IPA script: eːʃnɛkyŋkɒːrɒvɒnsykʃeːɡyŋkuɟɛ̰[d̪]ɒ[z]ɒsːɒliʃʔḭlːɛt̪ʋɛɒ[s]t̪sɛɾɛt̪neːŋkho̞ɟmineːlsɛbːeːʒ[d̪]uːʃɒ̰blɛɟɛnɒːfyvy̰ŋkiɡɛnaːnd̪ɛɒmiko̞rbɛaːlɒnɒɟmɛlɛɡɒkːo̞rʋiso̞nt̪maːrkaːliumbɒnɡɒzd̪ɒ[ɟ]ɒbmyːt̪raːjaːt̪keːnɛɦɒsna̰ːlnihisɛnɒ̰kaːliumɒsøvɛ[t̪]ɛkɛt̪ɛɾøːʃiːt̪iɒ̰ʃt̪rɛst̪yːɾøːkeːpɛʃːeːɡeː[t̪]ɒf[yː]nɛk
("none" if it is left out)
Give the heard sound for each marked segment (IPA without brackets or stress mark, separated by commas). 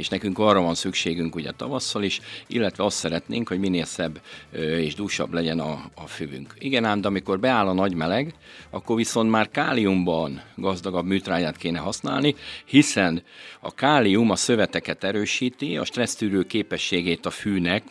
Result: t̪, v, s, d̪, ɡ, t̪, t̪, yː